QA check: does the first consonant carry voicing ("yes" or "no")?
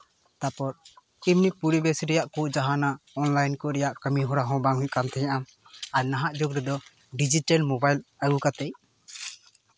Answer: no